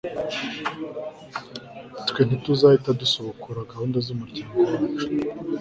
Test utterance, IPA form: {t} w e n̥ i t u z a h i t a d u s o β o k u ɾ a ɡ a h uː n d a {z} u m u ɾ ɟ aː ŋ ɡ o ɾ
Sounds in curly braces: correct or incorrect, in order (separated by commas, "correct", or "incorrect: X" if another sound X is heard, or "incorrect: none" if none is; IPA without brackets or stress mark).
correct, correct